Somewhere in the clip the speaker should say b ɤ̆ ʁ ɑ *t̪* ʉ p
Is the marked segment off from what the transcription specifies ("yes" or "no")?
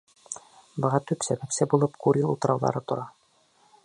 no